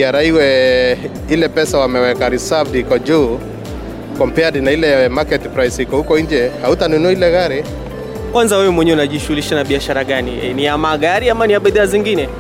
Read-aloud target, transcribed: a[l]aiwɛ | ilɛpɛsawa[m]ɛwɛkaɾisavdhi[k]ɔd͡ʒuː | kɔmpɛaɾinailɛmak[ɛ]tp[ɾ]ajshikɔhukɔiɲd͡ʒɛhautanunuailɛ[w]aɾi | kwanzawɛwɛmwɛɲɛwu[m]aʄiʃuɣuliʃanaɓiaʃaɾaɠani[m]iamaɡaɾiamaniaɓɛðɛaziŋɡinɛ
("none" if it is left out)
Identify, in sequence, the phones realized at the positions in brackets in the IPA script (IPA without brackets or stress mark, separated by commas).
ɾ, m, k, ɛ, ɾ, ɣ, n, n